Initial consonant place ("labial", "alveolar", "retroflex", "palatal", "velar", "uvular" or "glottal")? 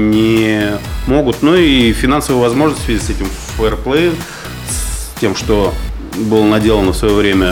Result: alveolar